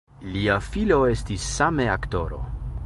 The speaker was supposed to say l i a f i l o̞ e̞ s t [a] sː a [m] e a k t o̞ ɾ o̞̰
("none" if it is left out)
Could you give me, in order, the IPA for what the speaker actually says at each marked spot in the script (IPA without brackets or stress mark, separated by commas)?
i, m